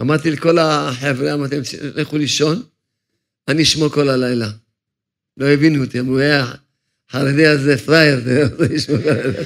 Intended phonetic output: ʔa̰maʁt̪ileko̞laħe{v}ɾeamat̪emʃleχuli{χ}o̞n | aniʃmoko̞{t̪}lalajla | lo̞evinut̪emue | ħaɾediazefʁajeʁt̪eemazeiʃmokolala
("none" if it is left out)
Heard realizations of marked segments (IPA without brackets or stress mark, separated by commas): v, ʃ, none